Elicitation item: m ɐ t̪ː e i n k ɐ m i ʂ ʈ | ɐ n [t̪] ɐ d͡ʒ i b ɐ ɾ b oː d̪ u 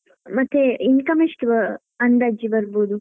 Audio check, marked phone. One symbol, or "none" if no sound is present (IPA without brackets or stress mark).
d̪